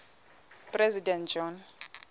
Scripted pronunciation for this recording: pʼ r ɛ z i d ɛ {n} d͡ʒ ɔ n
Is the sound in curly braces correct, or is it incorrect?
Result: correct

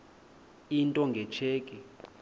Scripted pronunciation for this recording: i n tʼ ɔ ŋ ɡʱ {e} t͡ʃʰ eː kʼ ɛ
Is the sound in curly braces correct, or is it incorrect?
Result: incorrect: ɛ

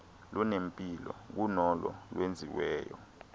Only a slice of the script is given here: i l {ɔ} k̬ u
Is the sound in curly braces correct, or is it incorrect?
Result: correct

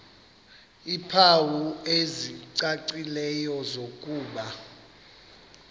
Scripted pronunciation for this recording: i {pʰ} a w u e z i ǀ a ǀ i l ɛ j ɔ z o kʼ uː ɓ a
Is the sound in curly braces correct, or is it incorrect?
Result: correct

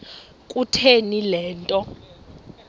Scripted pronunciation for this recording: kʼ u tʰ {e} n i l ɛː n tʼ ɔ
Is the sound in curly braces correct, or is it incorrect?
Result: correct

